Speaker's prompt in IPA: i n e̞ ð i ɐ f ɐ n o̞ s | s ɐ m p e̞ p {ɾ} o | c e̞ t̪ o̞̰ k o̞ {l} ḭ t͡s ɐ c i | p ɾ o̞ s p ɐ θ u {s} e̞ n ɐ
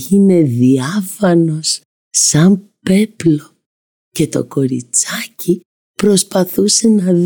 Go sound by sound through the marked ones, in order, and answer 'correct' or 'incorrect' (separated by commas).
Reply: incorrect, incorrect, correct